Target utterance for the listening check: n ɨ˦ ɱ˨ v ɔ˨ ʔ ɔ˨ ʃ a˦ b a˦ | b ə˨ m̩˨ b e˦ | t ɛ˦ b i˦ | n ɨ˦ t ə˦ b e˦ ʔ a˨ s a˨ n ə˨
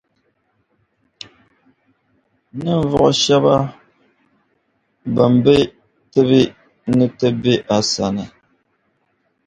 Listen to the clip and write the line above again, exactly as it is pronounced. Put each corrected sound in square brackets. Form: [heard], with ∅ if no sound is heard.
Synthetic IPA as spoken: n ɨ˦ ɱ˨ v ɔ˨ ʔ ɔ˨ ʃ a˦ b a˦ | b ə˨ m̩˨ b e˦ | t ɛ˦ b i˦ | n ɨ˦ t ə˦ b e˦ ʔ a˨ s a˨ n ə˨